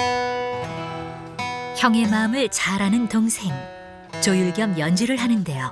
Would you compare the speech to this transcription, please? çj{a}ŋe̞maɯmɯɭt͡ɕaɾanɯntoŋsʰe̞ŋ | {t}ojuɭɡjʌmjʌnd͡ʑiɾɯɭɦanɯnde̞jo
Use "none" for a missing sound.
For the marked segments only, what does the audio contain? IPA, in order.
ʌ, t͡ɕ

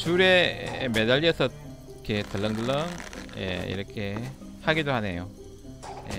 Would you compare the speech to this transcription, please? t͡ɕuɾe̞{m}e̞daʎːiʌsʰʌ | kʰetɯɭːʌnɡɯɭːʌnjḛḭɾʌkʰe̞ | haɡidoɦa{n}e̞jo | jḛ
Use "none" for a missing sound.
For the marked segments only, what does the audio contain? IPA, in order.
m, n

